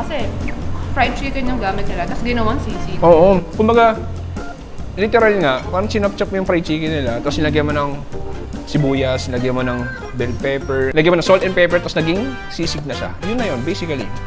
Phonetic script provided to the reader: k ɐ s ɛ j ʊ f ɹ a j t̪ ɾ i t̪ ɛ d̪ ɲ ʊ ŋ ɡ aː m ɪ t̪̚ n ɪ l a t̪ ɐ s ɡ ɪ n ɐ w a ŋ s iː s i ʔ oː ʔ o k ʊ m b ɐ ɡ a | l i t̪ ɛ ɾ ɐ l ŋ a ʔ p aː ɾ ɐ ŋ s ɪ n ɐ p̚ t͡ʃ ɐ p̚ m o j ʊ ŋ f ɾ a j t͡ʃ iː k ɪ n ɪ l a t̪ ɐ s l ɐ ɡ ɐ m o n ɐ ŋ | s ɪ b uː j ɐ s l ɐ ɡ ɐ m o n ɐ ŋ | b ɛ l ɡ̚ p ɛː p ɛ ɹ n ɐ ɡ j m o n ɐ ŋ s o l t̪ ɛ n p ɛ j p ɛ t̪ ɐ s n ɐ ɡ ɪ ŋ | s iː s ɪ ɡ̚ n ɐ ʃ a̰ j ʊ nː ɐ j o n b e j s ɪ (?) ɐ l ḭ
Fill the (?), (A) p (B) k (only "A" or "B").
B